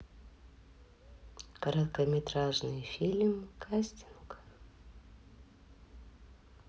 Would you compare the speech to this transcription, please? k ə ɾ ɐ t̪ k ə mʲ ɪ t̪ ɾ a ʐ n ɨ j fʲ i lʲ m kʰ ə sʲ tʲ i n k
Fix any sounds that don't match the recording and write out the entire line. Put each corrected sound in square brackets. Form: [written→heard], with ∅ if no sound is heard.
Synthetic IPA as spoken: k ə ɾ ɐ t̪ k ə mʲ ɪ t̪ ɾ a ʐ n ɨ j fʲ i lʲ m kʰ [ə→a] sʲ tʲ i n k